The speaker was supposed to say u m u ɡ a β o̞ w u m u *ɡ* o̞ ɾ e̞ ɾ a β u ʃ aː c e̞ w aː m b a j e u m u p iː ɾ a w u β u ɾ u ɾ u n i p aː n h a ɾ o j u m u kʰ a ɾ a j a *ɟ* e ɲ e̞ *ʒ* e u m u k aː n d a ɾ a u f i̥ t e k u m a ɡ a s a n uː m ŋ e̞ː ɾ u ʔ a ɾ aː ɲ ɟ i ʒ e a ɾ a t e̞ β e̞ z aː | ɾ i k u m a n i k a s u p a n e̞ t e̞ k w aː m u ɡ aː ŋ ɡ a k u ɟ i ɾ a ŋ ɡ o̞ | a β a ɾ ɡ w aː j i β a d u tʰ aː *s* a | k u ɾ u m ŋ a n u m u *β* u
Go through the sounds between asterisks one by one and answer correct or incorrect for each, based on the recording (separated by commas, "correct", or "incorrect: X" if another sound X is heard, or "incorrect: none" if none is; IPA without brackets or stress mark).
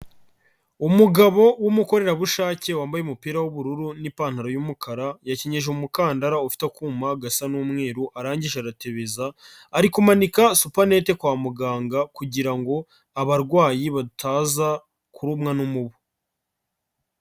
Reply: incorrect: k, incorrect: c, correct, incorrect: z, correct